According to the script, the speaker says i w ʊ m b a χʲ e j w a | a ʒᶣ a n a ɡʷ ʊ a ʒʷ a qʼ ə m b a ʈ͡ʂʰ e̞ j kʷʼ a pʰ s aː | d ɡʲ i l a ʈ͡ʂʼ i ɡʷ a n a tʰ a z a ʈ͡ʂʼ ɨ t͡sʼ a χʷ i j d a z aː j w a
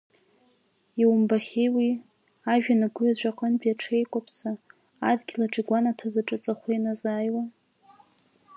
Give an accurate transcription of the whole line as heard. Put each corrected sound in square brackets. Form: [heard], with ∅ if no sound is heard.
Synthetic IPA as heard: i w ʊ m b a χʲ e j w [i] | a ʒᶣ a n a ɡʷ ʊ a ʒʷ a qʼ ə [n] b a ʈ͡ʂʰ e̞ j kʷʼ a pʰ s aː | d ɡʲ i l a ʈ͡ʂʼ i ɡʷ a n a tʰ a z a ʈ͡ʂʼ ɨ t͡sʼ a χʷ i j [n] a z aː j w a